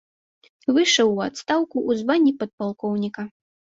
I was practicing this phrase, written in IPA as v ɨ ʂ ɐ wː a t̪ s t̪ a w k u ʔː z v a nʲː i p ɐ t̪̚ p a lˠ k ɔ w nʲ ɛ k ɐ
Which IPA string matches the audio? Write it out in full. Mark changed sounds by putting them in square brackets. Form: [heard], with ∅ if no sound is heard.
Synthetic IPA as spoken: v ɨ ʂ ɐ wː a t̪ s t̪ a w k u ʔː z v a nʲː i p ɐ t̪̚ p a lˠ k ɔ w nʲ [i] k ɐ